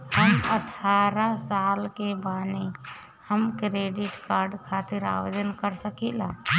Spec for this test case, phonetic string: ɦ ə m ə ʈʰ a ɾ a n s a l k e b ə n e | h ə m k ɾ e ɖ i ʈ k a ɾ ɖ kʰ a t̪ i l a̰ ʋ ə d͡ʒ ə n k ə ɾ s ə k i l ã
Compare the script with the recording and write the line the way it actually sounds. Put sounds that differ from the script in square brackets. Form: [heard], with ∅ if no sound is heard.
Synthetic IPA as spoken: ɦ ə m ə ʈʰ a ɾ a [∅] s a l k e b [a] n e | h ə m k ɾ e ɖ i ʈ k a ɾ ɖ kʰ a t̪ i [ɾ] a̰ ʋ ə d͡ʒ ə n k ə ɾ s ə k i l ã